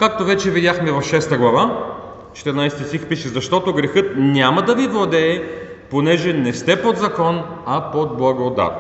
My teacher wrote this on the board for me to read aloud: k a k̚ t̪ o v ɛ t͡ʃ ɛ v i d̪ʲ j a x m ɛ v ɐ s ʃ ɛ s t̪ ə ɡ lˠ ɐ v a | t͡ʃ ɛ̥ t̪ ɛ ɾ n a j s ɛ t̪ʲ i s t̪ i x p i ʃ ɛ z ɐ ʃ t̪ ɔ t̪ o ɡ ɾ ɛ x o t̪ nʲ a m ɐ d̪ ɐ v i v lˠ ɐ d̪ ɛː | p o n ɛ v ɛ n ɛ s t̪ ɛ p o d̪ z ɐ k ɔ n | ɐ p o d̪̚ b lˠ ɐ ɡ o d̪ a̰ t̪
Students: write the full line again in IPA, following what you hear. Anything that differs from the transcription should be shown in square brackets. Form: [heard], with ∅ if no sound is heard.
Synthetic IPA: k a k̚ t̪ o v ɛ t͡ʃ ɛ v i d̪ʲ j a x m ɛ v ɐ [f] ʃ ɛ s t̪ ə ɡ lˠ ɐ v a | t͡ʃ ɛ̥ t̪ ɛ ɾ n a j s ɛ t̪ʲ i s t̪ i x p i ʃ ɛ z ɐ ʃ t̪ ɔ t̪ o ɡ ɾ ɛ x [ɤ] t̪ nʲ a m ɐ d̪ ɐ v i v lˠ ɐ d̪ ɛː | p o n ɛ [ʒ] ɛ n ɛ s t̪ ɛ p o d̪ z ɐ k ɔ n | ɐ p o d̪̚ b lˠ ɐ ɡ o d̪ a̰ t̪